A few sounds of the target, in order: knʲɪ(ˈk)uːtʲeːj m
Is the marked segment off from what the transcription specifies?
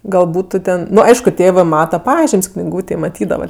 yes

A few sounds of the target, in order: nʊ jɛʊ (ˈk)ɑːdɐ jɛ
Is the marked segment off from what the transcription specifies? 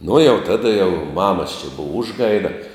yes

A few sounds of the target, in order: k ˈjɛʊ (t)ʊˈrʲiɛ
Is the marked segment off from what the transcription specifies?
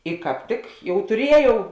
no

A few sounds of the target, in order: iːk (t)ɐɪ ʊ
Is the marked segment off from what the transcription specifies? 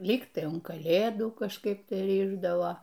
no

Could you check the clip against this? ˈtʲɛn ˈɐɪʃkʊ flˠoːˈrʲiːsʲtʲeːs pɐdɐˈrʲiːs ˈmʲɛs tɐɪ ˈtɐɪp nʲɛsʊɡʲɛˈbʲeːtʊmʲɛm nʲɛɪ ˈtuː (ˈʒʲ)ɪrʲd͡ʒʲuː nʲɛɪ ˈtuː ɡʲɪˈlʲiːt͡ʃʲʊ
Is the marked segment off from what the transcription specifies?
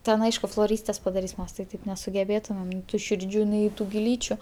yes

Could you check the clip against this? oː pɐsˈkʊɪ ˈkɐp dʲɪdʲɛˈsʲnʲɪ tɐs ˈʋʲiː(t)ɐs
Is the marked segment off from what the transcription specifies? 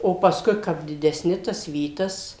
no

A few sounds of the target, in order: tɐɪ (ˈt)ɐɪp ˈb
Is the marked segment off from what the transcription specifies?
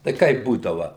yes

